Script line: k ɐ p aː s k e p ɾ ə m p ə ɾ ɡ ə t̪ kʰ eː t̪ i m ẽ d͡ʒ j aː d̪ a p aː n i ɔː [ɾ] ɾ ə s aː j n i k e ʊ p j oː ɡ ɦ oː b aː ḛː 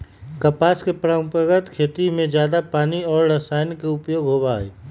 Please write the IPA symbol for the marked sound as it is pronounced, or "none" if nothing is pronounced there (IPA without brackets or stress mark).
ɾ